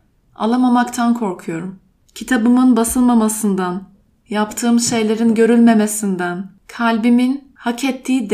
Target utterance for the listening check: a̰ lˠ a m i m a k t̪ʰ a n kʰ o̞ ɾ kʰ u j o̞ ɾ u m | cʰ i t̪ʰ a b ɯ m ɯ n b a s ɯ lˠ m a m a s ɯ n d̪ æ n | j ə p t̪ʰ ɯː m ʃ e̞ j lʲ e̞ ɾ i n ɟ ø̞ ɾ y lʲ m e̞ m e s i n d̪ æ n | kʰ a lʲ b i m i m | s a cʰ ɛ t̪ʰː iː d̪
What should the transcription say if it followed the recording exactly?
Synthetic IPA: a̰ lˠ a m a m a k t̪ʰ a n kʰ o̞ ɾ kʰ u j o̞ ɾ u m | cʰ i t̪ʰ a b ɯ m ɯ n b a s ɯ lˠ m a m a s ɯ n d̪ a n | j a p t̪ʰ ɯː m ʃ e̞ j lʲ e̞ ɾ i n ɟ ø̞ ɾ y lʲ m e̞ m e s i n d̪ æ n | kʰ a lʲ b i m i n | h a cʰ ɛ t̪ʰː iː d̪